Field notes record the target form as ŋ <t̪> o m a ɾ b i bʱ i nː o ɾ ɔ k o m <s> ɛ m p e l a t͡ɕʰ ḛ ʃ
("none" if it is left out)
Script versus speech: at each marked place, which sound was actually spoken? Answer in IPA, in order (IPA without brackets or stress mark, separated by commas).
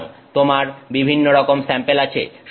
t̪, s